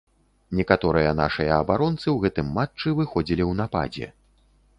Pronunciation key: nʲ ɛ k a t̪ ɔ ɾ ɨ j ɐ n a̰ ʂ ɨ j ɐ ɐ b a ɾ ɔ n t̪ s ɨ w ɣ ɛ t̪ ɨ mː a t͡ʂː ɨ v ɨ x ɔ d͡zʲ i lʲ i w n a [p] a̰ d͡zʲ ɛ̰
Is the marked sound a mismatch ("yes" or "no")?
no